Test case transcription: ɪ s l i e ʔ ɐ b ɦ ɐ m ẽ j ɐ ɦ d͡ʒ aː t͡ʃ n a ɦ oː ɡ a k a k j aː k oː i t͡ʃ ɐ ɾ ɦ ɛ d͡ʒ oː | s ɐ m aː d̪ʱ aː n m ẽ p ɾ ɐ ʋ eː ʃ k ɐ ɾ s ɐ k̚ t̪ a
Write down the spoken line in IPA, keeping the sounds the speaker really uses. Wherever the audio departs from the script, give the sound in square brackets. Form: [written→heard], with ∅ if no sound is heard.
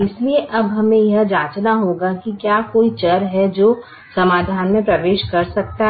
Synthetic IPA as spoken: ɪ s l i e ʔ ɐ b ɦ ɐ m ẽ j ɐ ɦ d͡ʒ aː t͡ʃ n a ɦ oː ɡ a k [a→i] k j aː k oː i t͡ʃ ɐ ɾ ɦ ɛ d͡ʒ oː | s ɐ m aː d̪ʱ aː n m ẽ p ɾ ɐ ʋ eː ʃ k ɐ ɾ s ɐ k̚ t̪ a